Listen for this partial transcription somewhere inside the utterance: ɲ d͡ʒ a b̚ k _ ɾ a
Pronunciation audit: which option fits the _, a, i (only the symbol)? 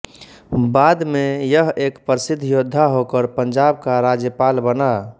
a